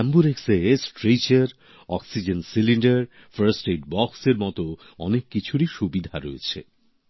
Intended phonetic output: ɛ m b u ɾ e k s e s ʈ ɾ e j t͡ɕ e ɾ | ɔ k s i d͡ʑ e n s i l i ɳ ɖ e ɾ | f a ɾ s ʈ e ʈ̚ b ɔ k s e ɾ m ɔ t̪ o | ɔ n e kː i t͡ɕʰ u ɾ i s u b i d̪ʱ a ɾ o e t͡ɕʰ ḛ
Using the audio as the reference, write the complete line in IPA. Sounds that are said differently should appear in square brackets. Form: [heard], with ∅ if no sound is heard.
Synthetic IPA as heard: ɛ m b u ɾ e k s e s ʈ ɾ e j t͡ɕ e ɾ | ɔ k s i d͡ʑ e n s i l i ɳ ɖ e ɾ | f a ɾ s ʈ e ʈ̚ b ɔ k s e ɾ m ɔ t̪ o | ɔ n e kː i t͡ɕʰ u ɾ i [ʃ] u b i d̪ʱ a ɾ o e t͡ɕʰ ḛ